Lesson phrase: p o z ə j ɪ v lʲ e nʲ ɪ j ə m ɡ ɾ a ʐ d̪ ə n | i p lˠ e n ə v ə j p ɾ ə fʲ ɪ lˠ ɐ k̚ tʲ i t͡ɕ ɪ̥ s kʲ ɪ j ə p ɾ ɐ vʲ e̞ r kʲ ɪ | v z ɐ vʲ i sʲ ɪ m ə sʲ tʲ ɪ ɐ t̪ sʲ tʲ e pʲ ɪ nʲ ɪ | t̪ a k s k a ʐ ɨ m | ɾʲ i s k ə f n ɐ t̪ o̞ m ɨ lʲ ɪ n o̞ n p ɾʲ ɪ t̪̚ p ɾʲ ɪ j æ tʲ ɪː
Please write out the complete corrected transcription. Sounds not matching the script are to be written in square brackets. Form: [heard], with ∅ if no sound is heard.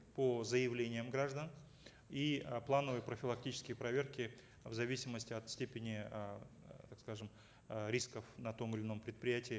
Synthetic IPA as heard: p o z ə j ɪ v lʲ e nʲ ɪ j ə m ɡ ɾ a ʐ d̪ ə n | i p lˠ [a] n ə v ə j p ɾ ə fʲ ɪ lˠ ɐ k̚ tʲ i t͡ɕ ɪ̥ s kʲ ɪ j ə p ɾ ɐ vʲ e̞ r kʲ ɪ | v z ɐ vʲ i sʲ ɪ m ə sʲ tʲ ɪ ɐ t̪ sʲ tʲ e pʲ ɪ nʲ ɪ | t̪ a k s k a ʐ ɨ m | ɾʲ i s k ə f n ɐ t̪ o̞ m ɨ lʲ ɪ n o̞ [m] p ɾʲ ɪ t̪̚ p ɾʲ ɪ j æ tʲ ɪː